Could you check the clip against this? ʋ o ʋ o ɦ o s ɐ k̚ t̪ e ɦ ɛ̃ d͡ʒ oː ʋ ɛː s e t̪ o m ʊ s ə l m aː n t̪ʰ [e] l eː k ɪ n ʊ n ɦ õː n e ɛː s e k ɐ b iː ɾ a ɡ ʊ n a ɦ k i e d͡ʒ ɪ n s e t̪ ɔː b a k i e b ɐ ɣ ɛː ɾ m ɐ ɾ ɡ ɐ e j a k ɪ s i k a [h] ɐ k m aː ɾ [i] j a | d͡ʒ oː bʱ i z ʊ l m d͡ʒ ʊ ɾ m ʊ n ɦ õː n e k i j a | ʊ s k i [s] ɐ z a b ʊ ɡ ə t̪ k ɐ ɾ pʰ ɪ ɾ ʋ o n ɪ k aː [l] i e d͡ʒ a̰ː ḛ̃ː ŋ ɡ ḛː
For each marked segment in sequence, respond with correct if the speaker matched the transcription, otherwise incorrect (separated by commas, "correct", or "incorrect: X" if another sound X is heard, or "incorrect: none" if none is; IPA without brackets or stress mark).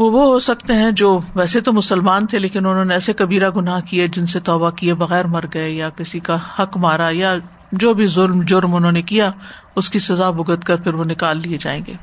correct, correct, incorrect: a, correct, incorrect: lː